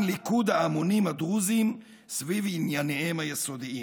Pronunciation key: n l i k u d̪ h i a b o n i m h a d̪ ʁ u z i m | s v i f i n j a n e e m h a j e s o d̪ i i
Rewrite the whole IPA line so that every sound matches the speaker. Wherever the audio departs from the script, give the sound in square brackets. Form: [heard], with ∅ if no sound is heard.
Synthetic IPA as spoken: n l i k u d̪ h [a] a [m] o n i m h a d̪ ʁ u z i m | s v i [v] i n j a n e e m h a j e s o d̪ i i